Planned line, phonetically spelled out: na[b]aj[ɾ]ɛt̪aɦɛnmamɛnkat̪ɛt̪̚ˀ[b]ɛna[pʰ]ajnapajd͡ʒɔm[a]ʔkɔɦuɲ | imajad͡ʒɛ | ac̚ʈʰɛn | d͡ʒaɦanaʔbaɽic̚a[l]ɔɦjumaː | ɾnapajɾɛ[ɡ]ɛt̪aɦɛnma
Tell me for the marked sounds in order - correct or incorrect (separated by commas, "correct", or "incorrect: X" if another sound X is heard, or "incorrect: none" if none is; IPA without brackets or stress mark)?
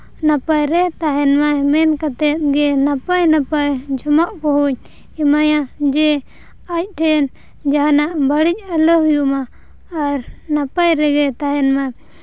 incorrect: p, correct, incorrect: ɡ, incorrect: p, correct, correct, correct